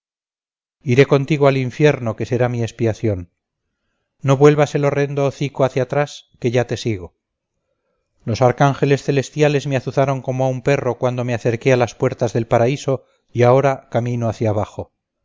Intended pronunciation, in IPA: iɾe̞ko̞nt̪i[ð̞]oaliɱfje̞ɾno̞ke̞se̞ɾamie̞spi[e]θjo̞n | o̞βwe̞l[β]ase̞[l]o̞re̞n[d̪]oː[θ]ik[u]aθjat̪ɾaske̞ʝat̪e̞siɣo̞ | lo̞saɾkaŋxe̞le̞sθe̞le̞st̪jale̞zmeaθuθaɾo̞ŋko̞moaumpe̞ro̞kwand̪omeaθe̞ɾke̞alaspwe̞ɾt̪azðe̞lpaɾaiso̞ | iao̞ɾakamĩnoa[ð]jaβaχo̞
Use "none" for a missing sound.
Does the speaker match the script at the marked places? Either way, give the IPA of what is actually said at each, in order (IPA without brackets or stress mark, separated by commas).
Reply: ɣ̞, a, β, l, d̪, θ, o, θ